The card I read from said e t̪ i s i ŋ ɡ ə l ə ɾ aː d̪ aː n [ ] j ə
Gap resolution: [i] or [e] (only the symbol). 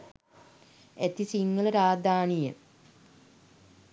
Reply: i